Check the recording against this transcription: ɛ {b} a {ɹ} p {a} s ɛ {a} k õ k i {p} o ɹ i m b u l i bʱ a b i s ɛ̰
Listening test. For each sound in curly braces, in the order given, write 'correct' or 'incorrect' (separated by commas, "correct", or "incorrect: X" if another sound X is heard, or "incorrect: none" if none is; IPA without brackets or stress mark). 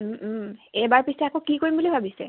correct, correct, incorrect: i, correct, incorrect: k